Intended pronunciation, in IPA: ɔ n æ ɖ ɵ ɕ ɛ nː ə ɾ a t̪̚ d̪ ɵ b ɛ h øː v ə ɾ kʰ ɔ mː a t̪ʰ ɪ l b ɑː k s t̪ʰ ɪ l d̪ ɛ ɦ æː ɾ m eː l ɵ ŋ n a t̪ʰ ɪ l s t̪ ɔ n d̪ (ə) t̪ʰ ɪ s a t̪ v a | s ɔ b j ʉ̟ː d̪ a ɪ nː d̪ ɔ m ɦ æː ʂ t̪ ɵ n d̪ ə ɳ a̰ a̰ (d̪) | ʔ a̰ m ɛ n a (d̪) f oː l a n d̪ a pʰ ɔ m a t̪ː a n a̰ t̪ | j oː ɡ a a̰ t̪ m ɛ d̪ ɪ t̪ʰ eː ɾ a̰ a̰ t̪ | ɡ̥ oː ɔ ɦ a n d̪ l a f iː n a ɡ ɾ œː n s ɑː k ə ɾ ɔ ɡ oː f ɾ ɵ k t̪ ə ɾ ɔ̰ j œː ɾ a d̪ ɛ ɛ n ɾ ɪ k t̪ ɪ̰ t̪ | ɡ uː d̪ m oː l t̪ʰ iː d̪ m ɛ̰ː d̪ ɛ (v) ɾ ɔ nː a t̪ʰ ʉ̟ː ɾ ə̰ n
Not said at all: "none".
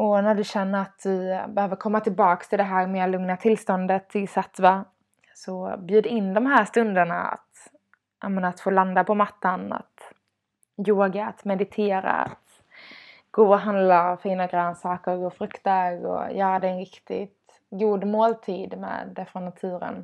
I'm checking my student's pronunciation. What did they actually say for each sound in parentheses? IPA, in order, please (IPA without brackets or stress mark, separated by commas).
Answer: ə, t̪, t̪, f